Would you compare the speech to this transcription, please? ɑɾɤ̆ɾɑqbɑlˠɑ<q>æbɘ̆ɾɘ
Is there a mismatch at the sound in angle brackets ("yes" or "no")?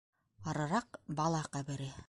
no